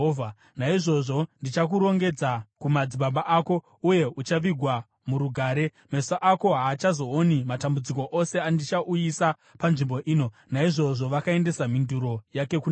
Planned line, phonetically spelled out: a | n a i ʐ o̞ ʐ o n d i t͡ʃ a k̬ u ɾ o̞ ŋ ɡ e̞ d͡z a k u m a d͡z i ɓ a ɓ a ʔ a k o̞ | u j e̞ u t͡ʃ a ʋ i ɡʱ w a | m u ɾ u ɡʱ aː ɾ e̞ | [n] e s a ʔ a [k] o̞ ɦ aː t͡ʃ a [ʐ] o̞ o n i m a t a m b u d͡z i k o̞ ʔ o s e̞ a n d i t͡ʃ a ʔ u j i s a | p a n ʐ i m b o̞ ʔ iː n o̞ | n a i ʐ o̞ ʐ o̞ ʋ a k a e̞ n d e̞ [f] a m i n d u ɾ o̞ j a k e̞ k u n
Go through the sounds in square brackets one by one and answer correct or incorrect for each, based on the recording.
incorrect: m, correct, incorrect: z, incorrect: s

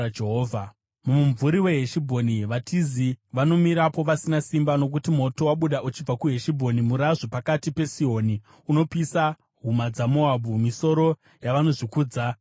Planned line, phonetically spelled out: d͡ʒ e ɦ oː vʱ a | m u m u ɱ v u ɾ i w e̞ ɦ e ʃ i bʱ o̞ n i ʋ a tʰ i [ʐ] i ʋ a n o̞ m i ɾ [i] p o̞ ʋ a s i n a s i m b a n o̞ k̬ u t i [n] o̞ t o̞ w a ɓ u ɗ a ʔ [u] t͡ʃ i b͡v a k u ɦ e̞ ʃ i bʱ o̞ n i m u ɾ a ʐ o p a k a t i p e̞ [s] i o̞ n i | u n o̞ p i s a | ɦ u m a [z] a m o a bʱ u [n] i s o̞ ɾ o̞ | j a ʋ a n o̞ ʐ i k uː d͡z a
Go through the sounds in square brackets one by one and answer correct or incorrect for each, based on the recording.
incorrect: z, incorrect: a, incorrect: m, correct, correct, incorrect: d͡z, incorrect: m

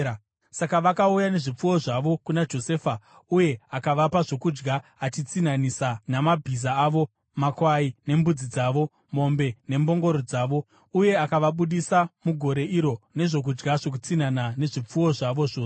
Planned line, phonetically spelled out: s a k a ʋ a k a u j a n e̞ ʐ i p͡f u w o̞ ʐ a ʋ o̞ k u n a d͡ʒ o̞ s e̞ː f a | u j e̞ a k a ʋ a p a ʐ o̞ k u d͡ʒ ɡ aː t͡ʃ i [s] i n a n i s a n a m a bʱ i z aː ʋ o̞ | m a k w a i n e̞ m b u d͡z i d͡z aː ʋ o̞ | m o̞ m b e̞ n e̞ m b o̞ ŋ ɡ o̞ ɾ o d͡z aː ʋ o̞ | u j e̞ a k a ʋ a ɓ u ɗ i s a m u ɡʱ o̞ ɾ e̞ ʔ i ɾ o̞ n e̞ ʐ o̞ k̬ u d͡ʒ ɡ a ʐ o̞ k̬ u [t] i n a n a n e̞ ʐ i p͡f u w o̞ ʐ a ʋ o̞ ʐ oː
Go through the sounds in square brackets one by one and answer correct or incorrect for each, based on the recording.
incorrect: t͡s, incorrect: t͡s

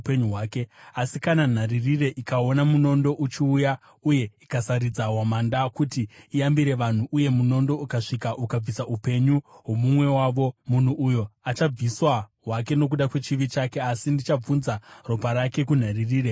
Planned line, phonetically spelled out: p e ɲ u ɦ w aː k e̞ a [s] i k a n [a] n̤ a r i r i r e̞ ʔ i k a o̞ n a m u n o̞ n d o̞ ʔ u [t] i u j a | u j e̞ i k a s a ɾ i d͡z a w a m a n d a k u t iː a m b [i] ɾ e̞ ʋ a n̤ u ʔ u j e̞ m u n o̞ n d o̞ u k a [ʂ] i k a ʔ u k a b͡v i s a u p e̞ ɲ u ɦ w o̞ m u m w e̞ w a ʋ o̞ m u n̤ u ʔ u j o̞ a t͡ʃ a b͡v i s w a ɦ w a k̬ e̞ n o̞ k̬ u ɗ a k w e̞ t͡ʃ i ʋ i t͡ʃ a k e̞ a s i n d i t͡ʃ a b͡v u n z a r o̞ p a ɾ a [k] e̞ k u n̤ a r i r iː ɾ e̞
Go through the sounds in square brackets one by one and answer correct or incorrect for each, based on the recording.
correct, correct, incorrect: t͡ʃ, correct, correct, correct

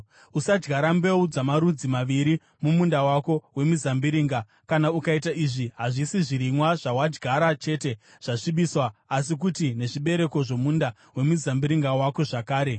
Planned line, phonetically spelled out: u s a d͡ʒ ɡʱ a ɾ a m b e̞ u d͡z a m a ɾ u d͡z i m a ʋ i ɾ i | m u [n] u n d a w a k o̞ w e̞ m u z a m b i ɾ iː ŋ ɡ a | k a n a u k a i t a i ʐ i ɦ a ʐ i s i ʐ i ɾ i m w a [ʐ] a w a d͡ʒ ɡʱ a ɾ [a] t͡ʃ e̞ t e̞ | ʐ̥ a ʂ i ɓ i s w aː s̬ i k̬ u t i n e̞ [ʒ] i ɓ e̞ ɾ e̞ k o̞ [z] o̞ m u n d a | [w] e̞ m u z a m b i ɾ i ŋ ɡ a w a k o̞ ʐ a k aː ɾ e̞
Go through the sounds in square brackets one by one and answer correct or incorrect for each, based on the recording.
incorrect: m, correct, correct, incorrect: ʐ, incorrect: ʐ, correct

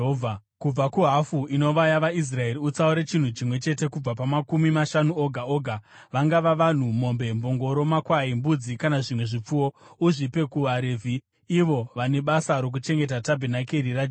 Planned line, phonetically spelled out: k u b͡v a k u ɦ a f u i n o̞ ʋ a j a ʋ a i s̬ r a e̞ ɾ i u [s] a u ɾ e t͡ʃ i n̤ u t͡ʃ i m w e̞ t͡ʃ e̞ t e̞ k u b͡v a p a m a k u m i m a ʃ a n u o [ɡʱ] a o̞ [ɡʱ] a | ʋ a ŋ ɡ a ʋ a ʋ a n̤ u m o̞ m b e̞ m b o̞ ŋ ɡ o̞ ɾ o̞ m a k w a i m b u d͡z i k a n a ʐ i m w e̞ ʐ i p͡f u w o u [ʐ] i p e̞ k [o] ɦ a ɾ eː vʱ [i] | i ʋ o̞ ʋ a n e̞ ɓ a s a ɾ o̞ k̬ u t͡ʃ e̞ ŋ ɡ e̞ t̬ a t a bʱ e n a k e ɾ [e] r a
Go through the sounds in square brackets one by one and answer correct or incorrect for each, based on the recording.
incorrect: t͡s, correct, correct, correct, incorrect: u, correct, incorrect: i

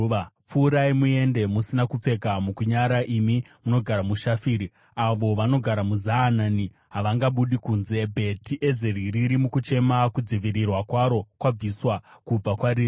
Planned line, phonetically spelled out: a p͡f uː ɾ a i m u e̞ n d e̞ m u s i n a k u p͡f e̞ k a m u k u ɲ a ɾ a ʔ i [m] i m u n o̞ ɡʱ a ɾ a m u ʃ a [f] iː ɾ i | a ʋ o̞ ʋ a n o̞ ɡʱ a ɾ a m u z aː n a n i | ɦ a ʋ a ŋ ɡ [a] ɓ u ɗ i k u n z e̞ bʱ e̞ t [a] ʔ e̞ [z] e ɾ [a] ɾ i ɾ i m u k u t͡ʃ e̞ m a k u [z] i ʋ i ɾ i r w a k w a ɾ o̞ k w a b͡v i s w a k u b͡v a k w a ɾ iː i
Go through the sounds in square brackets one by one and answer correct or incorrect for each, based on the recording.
correct, correct, correct, incorrect: i, correct, incorrect: i, incorrect: d͡z

